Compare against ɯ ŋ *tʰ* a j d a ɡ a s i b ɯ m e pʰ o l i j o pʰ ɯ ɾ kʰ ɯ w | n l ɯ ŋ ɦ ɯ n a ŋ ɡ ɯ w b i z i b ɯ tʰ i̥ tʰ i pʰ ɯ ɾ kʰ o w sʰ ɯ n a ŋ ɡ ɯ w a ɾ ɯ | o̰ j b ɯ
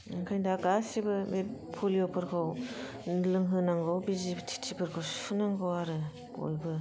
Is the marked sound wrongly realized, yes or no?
yes